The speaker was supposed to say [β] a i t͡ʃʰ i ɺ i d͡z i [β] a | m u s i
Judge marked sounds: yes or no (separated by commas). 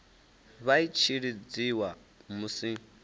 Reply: yes, no